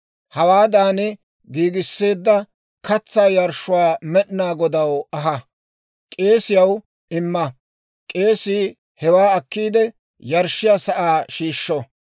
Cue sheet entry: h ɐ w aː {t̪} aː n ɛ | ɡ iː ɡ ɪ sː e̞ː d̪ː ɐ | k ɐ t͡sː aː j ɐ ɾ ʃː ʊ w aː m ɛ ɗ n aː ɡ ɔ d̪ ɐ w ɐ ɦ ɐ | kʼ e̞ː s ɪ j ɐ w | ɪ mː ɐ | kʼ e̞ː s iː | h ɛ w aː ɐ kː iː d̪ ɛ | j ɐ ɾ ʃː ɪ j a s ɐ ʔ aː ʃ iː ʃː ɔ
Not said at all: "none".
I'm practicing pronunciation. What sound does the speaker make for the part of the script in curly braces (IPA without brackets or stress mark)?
d̪